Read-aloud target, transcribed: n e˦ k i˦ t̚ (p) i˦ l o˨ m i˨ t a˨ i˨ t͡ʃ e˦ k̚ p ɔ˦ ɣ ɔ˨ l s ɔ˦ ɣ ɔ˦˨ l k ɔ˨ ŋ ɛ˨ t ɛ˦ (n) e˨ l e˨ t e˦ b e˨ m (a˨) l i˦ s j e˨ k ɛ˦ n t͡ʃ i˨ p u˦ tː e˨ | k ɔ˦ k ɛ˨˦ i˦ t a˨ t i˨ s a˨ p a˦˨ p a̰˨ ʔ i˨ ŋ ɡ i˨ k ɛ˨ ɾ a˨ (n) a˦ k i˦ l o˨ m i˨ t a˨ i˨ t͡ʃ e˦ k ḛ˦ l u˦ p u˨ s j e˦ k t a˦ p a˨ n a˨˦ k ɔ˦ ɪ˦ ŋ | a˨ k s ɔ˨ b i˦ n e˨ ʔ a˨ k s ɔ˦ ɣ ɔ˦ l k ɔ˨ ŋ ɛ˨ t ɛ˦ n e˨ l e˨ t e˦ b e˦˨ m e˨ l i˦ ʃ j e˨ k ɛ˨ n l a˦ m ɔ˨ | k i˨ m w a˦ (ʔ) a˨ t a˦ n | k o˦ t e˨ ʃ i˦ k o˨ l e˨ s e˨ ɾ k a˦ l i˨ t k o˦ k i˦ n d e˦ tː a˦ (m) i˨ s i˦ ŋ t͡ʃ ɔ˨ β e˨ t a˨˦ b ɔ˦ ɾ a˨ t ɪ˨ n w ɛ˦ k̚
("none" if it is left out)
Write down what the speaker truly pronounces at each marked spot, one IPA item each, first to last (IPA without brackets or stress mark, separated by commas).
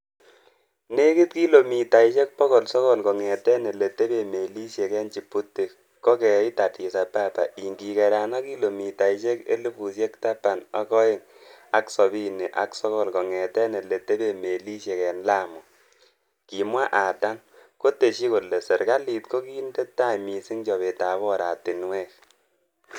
k, n, e˨, n, ʔ, m